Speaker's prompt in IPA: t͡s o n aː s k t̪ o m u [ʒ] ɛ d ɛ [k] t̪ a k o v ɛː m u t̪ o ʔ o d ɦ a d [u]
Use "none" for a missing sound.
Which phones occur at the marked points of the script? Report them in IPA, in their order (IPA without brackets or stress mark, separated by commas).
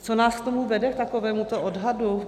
v, k, u